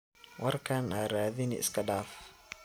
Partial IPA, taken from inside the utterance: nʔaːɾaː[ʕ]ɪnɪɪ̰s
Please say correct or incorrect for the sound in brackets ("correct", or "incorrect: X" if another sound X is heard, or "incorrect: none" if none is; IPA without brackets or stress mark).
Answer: incorrect: ð